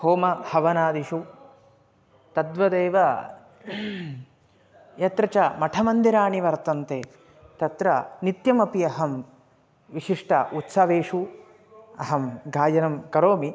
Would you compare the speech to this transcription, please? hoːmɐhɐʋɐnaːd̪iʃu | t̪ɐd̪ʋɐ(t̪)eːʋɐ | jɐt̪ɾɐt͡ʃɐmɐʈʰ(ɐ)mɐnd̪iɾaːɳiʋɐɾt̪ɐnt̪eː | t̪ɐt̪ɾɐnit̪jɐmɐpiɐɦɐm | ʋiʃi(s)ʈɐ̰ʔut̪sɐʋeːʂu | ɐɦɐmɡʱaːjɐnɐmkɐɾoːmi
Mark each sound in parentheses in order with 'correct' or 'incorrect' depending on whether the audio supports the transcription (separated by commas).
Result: incorrect, correct, incorrect